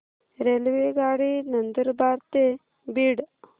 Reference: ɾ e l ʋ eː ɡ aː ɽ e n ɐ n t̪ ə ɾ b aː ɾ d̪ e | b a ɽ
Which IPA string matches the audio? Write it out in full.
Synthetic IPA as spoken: ɾ e l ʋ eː ɡ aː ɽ i n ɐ n d̪ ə ɾ b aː ɾ t̪ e | b i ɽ